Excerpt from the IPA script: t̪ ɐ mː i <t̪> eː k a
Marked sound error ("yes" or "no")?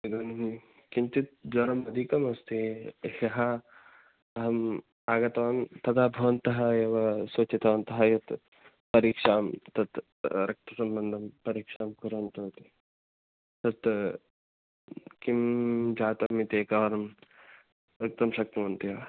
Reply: no